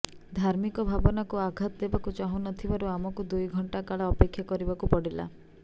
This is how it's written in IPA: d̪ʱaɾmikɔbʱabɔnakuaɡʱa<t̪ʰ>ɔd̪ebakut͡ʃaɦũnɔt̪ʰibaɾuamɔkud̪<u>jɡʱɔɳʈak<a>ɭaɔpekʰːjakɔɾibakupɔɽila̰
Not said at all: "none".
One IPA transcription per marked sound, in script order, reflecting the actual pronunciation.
t̪, u, a

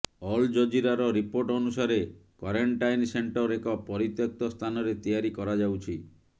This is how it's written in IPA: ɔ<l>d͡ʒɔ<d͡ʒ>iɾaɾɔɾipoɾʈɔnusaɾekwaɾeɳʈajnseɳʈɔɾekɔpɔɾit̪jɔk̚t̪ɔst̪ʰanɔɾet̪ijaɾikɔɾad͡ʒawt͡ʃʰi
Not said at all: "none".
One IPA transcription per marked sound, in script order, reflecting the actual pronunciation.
l, d͡ʒ

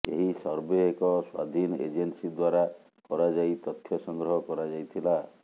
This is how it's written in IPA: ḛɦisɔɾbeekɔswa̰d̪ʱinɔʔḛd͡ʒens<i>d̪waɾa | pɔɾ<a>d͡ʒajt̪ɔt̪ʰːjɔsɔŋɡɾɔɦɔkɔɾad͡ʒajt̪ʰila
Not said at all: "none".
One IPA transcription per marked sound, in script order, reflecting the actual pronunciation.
i, a

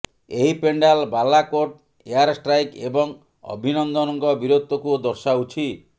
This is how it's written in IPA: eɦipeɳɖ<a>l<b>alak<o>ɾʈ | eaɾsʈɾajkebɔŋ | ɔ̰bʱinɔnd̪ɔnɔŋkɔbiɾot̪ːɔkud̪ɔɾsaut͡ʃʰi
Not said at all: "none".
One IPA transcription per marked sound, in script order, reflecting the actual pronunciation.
a, b, o

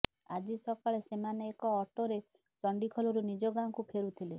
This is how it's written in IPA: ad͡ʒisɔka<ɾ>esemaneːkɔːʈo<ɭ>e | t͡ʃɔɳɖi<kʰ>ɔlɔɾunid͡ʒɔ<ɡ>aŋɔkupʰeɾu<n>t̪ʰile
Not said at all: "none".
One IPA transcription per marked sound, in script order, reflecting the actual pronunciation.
ɭ, ɾ, kʰ, ɡ, none

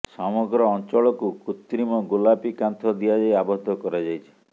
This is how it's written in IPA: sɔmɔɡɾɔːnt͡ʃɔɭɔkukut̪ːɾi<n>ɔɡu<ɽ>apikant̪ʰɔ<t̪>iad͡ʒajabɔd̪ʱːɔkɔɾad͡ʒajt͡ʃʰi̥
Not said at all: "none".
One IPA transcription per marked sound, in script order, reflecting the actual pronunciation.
m, l, d̪

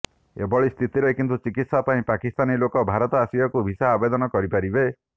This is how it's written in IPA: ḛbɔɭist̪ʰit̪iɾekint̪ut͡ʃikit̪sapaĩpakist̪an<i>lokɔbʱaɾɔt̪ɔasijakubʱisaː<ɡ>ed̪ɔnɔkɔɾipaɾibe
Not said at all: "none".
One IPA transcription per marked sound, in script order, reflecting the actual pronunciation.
i, b

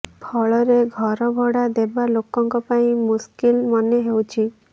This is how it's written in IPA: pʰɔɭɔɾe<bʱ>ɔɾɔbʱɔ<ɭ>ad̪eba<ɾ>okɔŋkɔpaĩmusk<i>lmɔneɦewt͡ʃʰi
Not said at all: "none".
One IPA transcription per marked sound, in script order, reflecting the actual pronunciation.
ɡʱ, ɽ, l, i

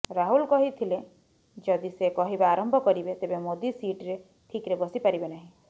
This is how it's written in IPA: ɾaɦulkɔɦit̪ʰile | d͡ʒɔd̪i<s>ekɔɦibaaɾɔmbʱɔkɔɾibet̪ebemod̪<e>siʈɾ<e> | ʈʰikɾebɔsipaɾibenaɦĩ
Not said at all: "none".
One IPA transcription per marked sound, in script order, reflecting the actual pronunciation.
s, i, e

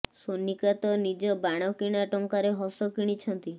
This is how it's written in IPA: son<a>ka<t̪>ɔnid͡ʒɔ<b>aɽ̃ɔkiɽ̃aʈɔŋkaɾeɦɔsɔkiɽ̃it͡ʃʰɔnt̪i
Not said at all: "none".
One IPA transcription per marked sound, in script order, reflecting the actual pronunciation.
i, t̪, b

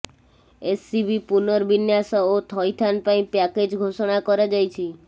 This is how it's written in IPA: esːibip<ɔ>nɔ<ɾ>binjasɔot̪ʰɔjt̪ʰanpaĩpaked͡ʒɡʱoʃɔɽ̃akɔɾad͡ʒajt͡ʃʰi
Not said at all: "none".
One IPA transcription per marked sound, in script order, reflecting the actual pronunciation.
u, ɾ

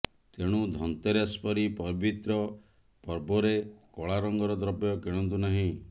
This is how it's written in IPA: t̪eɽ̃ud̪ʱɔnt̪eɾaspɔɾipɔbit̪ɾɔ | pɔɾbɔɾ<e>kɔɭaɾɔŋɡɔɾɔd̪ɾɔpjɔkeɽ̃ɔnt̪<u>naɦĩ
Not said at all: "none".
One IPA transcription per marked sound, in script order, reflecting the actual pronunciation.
e, u

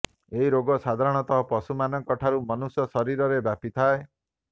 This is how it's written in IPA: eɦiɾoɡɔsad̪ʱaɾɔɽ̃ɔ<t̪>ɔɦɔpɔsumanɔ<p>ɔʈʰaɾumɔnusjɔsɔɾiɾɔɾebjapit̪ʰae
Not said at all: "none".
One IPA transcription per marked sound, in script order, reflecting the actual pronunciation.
t̪, k

